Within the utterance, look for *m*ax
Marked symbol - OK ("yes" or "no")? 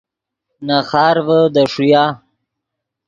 no